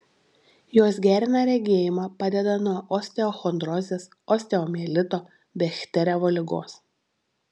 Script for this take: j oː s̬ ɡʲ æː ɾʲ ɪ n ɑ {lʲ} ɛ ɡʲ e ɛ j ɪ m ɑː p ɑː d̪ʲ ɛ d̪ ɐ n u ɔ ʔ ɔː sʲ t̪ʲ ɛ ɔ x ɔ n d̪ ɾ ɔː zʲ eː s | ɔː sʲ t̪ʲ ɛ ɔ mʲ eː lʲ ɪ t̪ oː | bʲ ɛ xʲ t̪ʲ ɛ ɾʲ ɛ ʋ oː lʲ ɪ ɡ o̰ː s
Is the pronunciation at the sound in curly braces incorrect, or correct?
incorrect